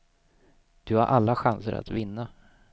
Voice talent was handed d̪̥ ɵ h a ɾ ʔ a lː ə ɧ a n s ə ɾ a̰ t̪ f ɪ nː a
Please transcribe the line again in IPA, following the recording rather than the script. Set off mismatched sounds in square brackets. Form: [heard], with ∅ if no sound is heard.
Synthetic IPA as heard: d̪̥ ɵ h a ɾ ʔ a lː [a] ɧ a n s ə ɾ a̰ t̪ [v] ɪ nː a